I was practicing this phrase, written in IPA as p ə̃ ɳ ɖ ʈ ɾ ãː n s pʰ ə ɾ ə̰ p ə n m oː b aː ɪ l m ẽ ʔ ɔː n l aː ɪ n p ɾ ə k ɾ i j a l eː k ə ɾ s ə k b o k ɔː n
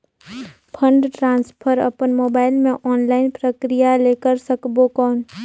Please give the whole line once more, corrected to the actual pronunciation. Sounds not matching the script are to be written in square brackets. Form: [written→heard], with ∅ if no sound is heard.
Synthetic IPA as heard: [p→pʰ] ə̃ ɳ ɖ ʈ ɾ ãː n s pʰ ə ɾ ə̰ p ə n m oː b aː ɪ l m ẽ ʔ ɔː n l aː ɪ n p ɾ ə k ɾ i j a l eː k ə ɾ s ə k b o k ɔː n